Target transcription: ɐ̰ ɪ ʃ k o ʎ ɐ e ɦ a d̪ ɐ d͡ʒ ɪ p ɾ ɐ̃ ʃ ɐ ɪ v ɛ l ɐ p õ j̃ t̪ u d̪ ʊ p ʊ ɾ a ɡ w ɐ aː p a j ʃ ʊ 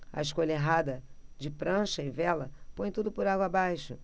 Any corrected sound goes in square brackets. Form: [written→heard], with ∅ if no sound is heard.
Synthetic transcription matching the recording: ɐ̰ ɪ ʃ k o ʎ ɐ e ɦ a d̪ ɐ d͡ʒ ɪ p ɾ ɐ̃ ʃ ɐ ɪ v ɛ l ɐ p õ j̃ t̪ u d̪ ʊ p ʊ ɾ a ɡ w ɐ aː [p→b] a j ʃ ʊ